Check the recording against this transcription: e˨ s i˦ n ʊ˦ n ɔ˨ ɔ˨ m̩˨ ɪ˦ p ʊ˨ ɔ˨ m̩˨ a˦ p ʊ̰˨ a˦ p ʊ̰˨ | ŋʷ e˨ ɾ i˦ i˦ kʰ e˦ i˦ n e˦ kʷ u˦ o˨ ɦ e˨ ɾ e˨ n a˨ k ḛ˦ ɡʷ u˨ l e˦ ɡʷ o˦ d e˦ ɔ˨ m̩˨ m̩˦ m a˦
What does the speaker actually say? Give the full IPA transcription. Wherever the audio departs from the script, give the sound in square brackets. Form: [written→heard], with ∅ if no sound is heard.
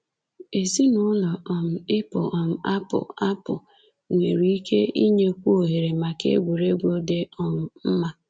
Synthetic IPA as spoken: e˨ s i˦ n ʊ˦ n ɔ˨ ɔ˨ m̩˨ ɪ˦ p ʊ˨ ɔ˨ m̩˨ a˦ p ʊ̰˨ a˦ p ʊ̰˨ | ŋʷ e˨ ɾ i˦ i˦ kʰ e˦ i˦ [n→ɲ] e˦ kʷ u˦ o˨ ɦ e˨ ɾ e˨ [n→m] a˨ k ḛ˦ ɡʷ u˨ [l→ɾ] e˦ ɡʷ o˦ d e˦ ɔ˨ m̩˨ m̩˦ m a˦